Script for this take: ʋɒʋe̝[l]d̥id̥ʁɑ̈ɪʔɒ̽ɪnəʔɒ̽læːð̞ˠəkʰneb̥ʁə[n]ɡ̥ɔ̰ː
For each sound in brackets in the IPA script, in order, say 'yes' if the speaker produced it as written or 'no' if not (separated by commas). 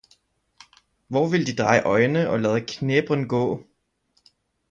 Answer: yes, yes